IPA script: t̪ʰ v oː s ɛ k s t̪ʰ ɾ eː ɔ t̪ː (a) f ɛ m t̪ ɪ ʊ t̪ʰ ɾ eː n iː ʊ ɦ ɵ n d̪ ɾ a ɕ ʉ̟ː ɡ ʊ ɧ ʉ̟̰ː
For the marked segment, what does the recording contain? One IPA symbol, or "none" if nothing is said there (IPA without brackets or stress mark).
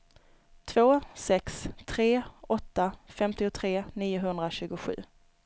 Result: a